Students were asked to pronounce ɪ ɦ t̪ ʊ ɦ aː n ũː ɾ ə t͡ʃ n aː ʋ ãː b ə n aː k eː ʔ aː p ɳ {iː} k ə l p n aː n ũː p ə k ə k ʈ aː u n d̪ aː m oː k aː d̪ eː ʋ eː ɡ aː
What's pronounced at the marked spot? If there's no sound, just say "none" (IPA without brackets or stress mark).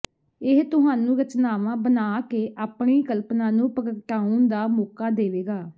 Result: iː